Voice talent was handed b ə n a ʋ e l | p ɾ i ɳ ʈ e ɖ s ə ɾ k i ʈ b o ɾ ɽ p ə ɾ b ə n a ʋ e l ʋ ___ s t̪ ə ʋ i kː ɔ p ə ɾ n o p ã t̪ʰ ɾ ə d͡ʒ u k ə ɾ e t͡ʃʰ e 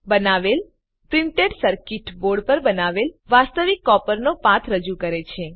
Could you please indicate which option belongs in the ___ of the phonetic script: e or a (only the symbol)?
a